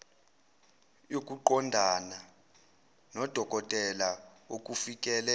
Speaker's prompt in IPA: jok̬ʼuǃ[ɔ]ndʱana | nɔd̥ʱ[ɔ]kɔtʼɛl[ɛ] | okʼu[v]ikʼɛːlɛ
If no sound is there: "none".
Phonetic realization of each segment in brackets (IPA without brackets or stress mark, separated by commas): ɔ, ɔ, a, f